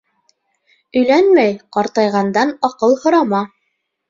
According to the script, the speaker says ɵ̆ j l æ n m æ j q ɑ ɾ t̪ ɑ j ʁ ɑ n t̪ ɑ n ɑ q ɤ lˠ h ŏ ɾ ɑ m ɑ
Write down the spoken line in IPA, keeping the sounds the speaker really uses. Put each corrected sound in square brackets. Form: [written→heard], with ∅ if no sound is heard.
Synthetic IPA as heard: ɵ̆ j l æ n m æ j q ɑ ɾ t̪ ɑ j ʁ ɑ n [t̪→d̪] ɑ n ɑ q ɤ lˠ h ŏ ɾ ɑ m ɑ